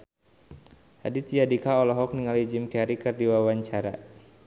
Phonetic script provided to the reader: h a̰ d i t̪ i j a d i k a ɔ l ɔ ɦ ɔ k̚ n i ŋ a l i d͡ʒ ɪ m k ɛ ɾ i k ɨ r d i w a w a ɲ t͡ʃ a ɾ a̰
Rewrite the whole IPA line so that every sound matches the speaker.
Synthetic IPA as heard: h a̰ d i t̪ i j a d i k a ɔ l ɔ ɦ ɔ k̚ n i ŋ a l i d͡ʒ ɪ m k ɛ ɾ i k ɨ r d i w a w a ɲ t͡ʃ a ɾ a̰